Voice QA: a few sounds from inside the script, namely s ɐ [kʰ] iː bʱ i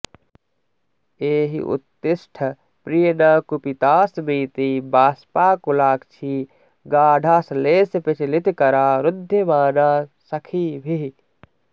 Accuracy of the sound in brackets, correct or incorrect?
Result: correct